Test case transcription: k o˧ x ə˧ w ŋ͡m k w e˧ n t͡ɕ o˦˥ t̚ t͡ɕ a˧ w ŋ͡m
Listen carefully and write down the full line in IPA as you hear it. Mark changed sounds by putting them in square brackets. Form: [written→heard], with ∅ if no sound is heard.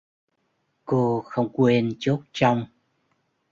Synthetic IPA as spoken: k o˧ x ə˧ w ŋ͡m k w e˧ n t͡ɕ o˦˥ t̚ t͡ɕ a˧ w ŋ͡m